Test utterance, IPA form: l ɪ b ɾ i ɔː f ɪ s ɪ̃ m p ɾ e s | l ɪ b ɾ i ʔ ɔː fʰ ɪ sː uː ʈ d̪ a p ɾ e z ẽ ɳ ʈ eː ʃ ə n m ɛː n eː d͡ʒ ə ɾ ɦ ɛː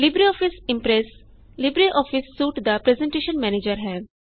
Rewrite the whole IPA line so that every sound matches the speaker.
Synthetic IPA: l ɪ b ɾ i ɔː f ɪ s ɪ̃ m p ɾ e s | l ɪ b ɾ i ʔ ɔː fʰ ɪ sː uː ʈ d̪ a p ɾ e z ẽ ɳ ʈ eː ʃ ə n m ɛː n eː d͡ʒ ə ɾ ɦ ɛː